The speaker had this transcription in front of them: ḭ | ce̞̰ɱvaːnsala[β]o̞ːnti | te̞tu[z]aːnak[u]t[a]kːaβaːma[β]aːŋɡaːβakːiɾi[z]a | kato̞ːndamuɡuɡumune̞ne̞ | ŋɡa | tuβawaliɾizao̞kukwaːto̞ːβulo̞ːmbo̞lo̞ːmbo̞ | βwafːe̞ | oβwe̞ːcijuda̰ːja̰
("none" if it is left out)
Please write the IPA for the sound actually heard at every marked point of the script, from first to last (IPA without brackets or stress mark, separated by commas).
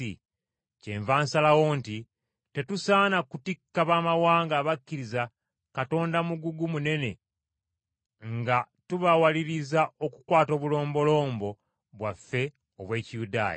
w, s, u, i, w, z